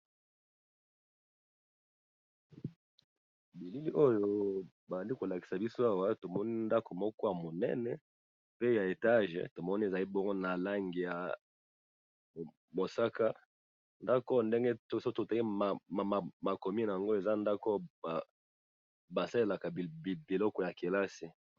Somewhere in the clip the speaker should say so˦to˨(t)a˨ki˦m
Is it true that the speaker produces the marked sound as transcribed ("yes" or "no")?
yes